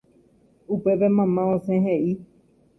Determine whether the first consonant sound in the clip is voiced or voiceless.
voiceless